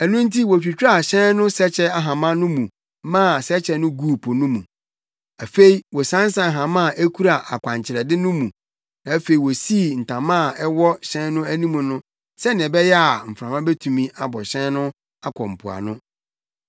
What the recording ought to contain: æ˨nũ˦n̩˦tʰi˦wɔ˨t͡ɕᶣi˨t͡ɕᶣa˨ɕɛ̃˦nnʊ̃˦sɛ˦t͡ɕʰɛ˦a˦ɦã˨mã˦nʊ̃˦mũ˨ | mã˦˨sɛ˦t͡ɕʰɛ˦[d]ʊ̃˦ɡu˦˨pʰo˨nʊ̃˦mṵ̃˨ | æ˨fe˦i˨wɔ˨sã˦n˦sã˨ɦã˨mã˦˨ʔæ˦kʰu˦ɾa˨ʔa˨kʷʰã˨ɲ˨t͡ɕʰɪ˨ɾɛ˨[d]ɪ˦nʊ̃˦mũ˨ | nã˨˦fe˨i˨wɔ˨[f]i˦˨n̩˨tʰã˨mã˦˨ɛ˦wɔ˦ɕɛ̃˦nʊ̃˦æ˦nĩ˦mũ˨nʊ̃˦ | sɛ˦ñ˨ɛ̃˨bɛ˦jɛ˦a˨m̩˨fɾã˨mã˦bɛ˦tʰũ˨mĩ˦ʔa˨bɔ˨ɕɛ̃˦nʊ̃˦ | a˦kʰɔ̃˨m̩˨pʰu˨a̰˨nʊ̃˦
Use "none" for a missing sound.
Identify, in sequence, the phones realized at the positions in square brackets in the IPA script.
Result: n, d, s

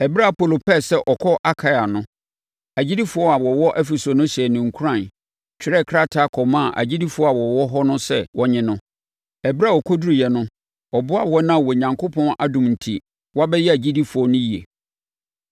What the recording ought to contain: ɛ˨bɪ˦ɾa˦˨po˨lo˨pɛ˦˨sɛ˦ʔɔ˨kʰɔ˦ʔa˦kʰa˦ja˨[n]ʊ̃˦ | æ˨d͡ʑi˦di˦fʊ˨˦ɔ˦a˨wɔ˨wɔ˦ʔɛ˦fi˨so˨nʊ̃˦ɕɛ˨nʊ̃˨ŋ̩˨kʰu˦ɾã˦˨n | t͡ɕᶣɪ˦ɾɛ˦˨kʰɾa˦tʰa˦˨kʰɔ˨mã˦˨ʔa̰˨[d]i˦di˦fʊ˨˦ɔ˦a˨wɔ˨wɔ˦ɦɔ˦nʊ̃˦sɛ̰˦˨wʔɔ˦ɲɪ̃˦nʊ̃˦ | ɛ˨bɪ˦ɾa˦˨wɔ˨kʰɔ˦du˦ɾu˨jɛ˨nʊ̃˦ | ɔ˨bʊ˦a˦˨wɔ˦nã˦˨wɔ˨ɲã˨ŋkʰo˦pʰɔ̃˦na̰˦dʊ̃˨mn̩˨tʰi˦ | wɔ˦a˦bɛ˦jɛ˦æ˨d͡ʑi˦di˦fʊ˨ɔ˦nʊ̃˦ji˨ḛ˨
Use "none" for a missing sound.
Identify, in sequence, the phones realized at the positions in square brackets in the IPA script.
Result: n, d͡ʑ

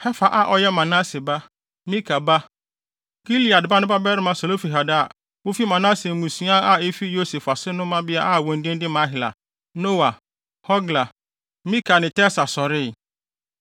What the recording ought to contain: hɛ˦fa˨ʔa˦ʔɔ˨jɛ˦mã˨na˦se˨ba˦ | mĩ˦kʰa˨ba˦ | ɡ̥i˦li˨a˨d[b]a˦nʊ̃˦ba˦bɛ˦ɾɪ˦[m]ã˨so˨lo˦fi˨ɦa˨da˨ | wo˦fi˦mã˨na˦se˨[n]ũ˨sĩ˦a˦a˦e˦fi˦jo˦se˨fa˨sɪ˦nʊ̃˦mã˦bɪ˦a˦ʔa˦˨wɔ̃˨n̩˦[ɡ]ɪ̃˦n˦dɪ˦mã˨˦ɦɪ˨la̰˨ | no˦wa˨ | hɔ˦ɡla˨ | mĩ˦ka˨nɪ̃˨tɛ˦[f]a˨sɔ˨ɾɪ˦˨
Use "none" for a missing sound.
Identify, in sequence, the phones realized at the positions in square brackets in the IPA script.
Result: b, m, m, d, s

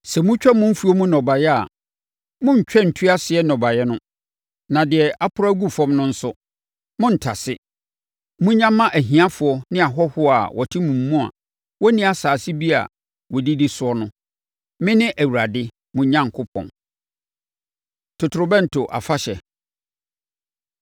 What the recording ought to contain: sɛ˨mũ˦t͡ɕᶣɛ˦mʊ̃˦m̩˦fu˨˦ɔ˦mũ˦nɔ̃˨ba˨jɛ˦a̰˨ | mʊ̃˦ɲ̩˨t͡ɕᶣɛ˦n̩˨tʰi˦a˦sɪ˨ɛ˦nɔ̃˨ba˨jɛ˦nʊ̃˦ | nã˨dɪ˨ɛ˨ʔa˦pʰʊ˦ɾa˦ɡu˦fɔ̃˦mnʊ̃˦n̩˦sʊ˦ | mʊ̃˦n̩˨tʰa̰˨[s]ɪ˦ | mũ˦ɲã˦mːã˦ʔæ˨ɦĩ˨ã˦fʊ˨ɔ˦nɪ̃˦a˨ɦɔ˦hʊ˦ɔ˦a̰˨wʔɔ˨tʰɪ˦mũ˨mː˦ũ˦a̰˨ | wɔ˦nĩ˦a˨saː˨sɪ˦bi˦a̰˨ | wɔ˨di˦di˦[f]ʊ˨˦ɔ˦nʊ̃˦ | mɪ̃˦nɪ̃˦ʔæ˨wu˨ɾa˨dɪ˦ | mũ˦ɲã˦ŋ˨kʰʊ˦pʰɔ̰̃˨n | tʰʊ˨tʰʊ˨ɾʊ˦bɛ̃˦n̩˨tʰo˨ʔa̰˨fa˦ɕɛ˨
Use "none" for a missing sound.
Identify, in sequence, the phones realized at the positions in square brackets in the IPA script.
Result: s, s

